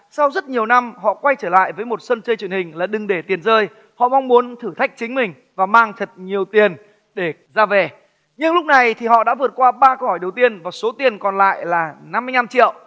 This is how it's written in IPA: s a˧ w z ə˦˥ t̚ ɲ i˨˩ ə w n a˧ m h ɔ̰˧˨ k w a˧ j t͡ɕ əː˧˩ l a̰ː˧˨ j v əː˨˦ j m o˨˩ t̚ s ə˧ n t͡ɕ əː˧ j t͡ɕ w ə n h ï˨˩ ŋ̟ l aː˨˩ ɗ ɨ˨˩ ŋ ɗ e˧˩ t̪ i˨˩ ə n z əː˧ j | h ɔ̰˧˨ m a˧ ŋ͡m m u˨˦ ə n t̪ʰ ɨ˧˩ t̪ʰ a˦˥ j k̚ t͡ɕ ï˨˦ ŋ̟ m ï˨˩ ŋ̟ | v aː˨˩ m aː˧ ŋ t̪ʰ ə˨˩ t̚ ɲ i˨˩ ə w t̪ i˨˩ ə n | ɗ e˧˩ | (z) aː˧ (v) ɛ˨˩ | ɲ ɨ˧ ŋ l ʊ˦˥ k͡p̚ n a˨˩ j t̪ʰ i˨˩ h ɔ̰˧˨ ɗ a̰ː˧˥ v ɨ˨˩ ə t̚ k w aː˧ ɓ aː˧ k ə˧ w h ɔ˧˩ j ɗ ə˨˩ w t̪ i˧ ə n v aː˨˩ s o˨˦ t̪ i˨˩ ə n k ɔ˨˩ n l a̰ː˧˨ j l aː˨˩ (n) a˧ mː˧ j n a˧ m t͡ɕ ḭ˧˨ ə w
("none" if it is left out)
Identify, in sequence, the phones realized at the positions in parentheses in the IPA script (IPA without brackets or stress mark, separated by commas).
z, v, n